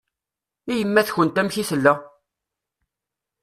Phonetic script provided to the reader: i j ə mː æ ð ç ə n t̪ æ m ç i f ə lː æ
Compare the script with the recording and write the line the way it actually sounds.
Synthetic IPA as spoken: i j ə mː æ θ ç ə n t̪ æ m ç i θ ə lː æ